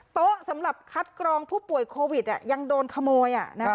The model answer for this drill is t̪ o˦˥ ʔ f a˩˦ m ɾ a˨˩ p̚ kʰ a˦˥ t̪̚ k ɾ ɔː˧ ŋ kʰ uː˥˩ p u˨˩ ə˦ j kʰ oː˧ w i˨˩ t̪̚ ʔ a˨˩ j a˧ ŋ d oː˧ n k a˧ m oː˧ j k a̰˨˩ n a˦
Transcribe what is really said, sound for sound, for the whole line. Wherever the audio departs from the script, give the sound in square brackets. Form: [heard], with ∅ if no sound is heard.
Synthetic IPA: t̪ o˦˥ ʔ [s] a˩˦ m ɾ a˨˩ p̚ kʰ a˦˥ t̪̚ k ɾ ɔː˧ ŋ [pʰ] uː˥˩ p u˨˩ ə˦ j kʰ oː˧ w i˨˩ t̪̚ ʔ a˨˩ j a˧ ŋ d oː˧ n [kʰ] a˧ m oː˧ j [ʔ] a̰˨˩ n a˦